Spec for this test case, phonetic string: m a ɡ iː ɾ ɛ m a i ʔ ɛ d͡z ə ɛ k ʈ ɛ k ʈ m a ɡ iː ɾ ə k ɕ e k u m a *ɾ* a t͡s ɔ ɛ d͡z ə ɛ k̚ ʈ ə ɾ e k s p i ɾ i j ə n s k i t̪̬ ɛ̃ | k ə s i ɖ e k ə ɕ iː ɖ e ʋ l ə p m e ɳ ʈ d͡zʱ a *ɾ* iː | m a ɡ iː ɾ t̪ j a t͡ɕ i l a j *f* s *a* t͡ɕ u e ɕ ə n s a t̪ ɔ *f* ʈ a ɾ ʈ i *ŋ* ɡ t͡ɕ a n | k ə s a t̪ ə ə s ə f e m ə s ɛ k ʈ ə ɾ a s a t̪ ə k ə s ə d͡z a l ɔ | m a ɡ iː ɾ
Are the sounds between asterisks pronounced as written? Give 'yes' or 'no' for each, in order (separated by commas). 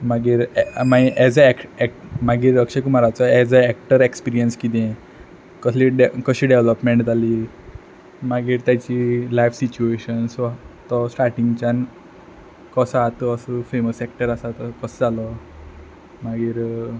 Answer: yes, no, yes, no, no, yes